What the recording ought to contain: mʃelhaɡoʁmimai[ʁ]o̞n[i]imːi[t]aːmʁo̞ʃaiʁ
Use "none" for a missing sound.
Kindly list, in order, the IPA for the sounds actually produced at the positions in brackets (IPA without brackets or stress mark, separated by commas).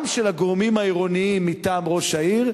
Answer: ʁ, i, t